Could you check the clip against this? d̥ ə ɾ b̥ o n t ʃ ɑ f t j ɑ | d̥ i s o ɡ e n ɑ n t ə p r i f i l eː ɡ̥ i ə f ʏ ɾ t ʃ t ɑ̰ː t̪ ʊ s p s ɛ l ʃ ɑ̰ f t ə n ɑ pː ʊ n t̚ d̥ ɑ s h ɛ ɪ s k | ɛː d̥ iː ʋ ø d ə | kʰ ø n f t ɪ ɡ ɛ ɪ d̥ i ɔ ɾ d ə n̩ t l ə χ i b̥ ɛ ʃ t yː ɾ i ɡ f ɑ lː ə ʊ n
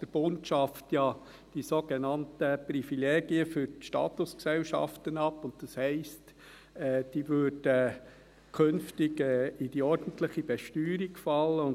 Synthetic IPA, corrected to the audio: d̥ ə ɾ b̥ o n t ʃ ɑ f t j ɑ | d̥ i s o ɡ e n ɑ n t ə p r i f i l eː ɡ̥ i ə f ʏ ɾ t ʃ t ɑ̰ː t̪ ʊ s k s ɛ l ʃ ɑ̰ f t ə n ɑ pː ʊ n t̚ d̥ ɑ s h ɛ ɪ s t | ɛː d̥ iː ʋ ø d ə | kʰ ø n f t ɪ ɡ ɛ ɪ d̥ i ɔ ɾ d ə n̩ t l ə χ i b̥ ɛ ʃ t yː ɾ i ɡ f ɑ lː ə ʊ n